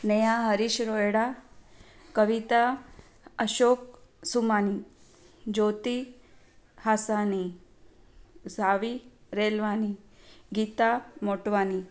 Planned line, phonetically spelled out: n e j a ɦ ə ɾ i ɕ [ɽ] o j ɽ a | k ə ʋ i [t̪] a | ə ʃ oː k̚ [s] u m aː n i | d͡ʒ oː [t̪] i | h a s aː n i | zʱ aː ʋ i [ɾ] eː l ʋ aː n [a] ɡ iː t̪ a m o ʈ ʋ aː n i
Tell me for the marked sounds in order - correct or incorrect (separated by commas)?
incorrect, correct, correct, correct, correct, incorrect